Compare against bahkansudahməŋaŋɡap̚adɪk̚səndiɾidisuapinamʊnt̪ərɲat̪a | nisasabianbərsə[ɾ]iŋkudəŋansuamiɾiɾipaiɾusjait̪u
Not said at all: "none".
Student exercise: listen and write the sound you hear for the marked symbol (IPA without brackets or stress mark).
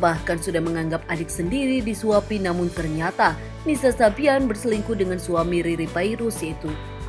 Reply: l